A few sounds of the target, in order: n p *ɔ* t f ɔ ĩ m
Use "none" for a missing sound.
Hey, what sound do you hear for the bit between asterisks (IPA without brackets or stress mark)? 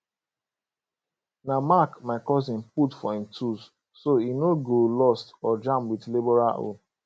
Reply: u